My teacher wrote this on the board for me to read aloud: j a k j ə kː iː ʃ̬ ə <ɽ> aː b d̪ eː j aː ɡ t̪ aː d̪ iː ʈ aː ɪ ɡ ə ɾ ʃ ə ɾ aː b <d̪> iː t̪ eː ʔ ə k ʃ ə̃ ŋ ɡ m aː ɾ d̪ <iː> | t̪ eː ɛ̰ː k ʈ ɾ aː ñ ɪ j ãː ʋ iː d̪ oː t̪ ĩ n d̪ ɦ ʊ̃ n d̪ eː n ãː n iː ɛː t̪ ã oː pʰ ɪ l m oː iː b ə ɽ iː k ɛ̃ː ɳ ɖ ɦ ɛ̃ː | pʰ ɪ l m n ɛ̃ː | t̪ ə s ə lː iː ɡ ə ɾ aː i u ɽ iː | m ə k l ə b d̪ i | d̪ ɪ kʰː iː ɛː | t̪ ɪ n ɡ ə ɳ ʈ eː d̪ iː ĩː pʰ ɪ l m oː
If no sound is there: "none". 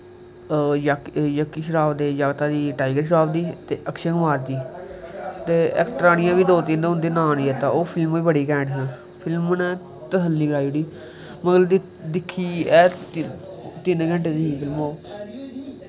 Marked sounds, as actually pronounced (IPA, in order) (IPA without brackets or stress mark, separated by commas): ɾ, d̪, iː